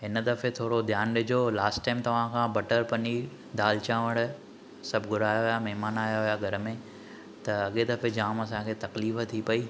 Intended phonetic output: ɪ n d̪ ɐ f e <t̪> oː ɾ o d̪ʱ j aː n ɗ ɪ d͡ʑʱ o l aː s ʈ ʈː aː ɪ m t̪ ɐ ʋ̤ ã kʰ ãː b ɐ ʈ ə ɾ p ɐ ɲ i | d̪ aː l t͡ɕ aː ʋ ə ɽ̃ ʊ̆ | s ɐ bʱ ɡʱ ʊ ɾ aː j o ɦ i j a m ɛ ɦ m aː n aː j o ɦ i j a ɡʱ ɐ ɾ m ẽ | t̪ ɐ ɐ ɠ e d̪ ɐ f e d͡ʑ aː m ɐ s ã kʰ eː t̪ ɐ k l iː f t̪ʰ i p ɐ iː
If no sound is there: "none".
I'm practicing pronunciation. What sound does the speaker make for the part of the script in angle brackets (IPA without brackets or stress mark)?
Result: t̪ʰ